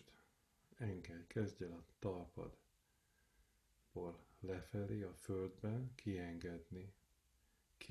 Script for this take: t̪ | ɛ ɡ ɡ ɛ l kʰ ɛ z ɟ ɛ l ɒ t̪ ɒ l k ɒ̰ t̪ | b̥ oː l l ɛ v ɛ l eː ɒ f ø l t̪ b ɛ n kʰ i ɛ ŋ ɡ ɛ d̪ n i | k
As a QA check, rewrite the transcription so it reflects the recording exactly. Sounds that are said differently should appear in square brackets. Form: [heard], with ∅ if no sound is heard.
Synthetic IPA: t̪ | ɛ [ŋ] ɡ ɛ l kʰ ɛ z ɟ ɛ l ɒ t̪ ɒ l [p] ɒ̰ [d̪] | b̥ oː l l ɛ [f] ɛ l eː ɒ f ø l [d̪] b ɛ n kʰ i ɛ ŋ ɡ ɛ d̪ n i | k